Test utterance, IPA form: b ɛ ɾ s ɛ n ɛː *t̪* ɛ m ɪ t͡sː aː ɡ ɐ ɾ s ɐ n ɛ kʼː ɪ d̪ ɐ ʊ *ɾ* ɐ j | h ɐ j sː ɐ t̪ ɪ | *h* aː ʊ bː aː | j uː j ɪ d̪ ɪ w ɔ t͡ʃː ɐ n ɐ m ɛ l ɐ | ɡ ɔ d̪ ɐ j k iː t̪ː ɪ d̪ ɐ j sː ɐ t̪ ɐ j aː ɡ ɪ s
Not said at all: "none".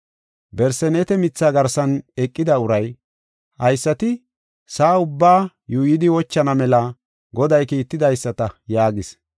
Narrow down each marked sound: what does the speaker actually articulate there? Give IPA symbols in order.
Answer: t̪, ɾ, s

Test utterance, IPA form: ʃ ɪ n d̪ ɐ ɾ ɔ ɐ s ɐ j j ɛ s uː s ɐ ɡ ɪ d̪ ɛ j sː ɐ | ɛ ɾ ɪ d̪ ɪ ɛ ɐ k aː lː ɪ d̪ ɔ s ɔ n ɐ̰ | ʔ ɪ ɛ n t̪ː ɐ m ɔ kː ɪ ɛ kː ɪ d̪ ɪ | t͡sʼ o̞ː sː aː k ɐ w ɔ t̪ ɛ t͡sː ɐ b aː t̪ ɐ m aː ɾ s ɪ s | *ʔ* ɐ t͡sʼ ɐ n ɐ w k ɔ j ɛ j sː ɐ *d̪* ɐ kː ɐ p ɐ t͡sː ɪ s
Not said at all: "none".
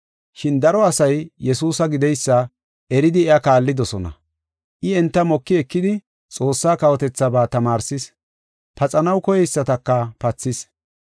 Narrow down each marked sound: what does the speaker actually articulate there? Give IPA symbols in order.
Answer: p, t̪

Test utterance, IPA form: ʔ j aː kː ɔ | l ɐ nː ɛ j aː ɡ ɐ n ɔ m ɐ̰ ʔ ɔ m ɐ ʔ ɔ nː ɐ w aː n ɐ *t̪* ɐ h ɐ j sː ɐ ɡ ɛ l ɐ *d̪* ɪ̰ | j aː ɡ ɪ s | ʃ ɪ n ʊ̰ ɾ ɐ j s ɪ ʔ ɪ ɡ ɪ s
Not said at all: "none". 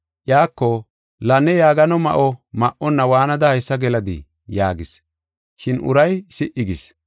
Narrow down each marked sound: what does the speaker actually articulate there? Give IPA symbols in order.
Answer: d̪, d̪

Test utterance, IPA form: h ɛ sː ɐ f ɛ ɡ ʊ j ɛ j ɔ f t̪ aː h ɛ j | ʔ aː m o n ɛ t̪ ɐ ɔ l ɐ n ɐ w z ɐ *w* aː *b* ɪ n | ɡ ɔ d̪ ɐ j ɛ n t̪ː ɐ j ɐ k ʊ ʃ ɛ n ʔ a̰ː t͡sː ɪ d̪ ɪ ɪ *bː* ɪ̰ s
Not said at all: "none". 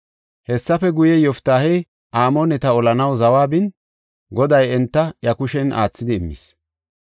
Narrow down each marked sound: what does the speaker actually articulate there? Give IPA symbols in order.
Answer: w, b, mː

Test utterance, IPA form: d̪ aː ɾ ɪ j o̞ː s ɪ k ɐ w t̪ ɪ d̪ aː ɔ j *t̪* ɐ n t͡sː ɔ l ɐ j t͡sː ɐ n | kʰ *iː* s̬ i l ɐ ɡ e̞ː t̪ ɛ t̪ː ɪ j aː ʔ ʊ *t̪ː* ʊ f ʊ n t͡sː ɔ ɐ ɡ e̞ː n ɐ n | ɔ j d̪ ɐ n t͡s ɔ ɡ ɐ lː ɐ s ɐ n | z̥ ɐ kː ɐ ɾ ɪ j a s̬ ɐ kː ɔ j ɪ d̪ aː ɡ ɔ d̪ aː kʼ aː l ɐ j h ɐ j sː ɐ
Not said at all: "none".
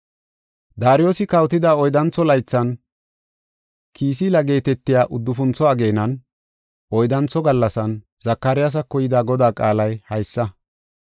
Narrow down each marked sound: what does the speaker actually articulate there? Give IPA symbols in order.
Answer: d̪, iː, d̪ː

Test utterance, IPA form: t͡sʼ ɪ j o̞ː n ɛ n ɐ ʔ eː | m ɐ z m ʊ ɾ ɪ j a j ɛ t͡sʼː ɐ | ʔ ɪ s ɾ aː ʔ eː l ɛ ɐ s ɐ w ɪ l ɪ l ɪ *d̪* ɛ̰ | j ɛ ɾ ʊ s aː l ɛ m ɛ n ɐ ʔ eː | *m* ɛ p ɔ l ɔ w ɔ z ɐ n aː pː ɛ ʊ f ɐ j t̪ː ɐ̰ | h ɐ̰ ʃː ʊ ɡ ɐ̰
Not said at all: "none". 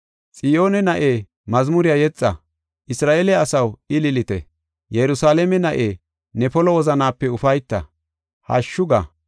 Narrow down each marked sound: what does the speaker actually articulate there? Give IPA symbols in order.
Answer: t̪, n

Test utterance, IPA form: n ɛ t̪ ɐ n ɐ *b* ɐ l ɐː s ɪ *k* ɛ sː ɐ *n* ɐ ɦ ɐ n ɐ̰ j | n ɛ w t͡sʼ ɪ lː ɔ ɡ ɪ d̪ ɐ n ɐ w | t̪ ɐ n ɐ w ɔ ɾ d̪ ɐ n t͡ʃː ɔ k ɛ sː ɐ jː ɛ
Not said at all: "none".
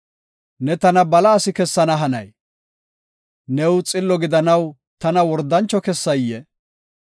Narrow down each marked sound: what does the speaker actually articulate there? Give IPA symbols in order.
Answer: b, k, n

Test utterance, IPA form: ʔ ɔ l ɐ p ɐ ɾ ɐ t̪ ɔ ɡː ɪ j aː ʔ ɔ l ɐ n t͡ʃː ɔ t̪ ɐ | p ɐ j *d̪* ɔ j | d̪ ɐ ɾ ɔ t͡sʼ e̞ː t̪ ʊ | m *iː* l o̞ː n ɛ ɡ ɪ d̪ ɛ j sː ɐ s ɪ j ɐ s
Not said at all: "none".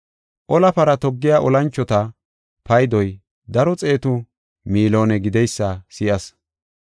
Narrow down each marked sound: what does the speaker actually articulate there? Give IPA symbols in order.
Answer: d̪, iː

